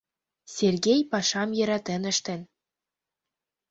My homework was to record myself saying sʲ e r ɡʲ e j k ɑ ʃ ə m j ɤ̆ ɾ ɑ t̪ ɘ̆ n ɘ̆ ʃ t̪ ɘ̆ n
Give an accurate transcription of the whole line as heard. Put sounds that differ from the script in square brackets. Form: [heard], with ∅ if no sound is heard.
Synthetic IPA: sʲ e r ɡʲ e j [p] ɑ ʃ [ɑ] m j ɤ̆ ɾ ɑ t̪ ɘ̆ n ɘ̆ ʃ t̪ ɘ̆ n